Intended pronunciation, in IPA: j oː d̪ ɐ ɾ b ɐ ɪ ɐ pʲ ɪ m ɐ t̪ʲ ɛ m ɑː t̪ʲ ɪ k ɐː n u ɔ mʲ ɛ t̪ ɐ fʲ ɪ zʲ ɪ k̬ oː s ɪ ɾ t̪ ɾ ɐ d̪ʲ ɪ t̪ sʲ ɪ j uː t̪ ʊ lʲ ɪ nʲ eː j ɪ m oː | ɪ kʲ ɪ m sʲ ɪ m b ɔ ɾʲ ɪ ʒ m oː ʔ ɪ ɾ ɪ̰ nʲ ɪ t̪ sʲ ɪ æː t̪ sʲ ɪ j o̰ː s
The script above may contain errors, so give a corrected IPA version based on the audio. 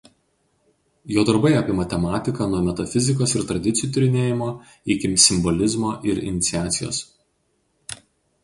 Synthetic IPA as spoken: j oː d̪ ɐ ɾ b ɐ ɪ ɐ pʲ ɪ m ɐ t̪ʲ ɛ m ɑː t̪ʲ ɪ k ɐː n u ɔ mʲ ɛ t̪ ɐ fʲ ɪ zʲ ɪ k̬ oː s ɪ ɾ t̪ ɾ ɐ d̪ʲ ɪ t̪ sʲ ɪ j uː t̪ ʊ ɾʲ ɪ nʲ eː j ɪ m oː | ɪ kʲ ɪ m sʲ ɪ m b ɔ lʲ ɪ z m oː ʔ ɪ ɾ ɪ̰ nʲ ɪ t̪ sʲ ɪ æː t̪ sʲ ɪ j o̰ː s